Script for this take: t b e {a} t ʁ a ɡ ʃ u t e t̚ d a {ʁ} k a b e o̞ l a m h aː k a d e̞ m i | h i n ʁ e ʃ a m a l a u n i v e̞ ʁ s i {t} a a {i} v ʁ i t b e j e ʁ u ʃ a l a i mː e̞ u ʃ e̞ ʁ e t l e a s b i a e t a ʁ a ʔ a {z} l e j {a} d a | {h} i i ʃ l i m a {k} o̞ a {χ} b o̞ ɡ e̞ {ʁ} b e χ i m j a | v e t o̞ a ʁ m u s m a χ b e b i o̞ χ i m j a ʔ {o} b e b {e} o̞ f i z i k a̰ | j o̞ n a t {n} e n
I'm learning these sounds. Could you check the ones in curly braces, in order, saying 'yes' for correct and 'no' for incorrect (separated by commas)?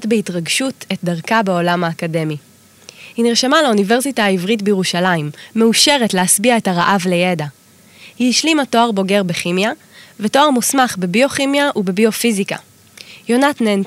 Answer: no, yes, yes, yes, no, no, yes, no, no, yes, no, no, yes